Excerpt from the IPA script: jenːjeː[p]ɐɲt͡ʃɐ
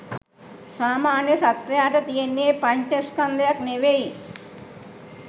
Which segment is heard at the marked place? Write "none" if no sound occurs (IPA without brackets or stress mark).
p